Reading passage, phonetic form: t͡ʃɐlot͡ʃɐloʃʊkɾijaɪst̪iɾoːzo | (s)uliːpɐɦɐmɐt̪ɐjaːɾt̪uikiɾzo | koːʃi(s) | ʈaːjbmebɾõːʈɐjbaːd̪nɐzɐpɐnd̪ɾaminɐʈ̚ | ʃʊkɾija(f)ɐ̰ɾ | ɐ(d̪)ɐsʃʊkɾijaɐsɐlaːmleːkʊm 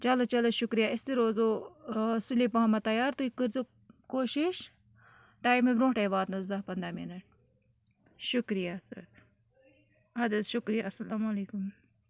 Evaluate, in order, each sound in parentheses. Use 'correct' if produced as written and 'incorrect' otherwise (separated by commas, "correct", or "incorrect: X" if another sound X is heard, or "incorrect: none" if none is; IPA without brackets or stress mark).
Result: correct, incorrect: ʃ, incorrect: s, correct